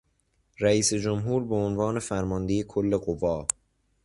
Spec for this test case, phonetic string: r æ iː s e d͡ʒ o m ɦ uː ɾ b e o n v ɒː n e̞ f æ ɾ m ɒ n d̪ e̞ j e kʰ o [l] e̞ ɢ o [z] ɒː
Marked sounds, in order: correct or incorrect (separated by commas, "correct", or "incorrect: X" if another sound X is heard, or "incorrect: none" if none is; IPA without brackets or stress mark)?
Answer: incorrect: lː, incorrect: v